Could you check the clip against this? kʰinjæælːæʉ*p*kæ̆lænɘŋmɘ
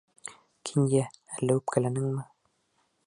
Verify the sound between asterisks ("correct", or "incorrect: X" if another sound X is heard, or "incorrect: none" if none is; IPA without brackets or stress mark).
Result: correct